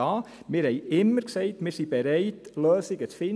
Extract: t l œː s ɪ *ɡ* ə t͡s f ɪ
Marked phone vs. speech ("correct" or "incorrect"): correct